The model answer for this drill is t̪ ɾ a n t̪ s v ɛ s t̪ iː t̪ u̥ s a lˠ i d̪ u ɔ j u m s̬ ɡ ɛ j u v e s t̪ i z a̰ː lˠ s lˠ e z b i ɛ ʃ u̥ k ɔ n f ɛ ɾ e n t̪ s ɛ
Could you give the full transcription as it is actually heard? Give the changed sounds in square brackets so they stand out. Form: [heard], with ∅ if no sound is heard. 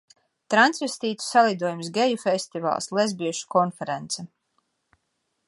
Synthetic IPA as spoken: t̪ ɾ a n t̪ s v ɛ s t̪ iː t̪ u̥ s a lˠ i d̪ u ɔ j u m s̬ ɡ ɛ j u [f] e s t̪ i [v] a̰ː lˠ s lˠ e z b i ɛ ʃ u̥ k ɔ n f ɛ ɾ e n t̪ s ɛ